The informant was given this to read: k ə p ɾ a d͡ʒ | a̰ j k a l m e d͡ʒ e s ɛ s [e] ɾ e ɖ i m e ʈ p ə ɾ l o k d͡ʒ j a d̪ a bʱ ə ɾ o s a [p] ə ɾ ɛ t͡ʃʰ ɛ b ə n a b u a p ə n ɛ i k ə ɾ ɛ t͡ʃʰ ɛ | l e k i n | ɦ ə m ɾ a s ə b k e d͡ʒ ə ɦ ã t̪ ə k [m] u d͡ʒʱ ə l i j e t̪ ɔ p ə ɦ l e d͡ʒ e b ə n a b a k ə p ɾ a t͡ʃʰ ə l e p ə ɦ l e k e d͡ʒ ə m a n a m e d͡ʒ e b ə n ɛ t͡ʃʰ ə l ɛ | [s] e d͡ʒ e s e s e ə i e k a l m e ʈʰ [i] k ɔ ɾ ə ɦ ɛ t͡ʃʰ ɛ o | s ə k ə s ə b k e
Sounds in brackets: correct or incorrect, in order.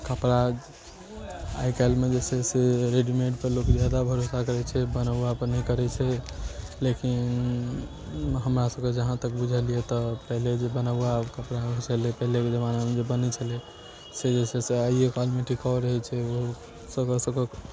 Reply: correct, incorrect, incorrect, correct, correct

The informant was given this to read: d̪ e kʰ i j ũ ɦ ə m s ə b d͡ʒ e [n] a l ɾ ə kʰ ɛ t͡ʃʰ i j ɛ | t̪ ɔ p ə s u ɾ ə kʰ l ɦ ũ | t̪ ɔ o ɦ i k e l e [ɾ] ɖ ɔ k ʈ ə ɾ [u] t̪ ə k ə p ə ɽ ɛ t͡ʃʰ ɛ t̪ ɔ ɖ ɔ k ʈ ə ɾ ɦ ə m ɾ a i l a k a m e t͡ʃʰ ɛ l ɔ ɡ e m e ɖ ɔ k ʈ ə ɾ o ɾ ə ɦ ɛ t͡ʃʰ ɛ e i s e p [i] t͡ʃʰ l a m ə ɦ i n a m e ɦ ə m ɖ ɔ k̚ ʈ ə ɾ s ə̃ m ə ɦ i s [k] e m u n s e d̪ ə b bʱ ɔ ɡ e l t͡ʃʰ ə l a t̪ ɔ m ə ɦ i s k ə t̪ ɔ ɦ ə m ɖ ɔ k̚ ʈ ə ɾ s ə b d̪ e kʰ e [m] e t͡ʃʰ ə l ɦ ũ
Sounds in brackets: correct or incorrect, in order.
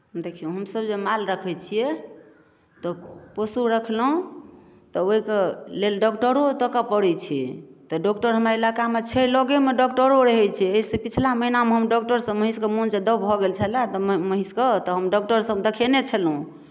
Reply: incorrect, incorrect, incorrect, correct, correct, incorrect

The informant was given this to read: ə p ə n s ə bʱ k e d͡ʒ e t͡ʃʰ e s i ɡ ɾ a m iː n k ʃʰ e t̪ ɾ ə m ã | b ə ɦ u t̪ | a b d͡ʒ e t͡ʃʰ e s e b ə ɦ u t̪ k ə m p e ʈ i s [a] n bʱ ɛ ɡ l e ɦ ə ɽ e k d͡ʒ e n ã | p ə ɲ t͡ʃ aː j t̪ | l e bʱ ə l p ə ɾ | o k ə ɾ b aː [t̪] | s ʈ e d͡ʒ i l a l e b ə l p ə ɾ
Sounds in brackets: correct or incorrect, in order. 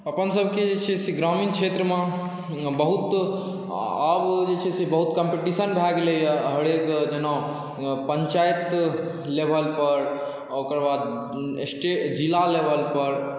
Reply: incorrect, incorrect

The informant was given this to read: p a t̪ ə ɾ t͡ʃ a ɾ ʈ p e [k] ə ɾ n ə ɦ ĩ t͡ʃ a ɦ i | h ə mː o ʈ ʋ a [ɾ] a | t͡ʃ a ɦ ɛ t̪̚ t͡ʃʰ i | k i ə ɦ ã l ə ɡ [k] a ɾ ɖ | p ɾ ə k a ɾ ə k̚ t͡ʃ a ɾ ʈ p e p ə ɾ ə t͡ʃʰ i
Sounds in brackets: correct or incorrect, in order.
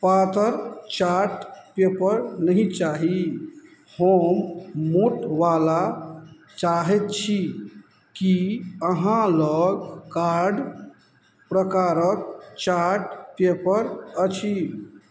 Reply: incorrect, incorrect, correct

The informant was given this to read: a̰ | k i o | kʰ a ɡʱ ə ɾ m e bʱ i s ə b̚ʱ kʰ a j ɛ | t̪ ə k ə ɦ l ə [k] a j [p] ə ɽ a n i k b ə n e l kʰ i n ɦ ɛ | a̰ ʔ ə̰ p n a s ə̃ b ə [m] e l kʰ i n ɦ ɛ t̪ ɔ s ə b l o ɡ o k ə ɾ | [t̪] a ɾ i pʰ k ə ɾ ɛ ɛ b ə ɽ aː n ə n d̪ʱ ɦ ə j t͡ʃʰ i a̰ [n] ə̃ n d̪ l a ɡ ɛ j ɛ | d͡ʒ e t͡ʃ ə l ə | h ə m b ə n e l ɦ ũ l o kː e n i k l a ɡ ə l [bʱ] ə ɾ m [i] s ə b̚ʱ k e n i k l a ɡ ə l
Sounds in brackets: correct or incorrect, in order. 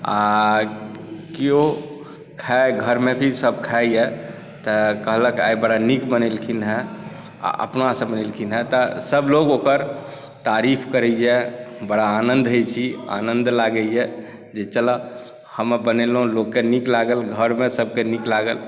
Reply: correct, incorrect, incorrect, correct, correct, incorrect, incorrect

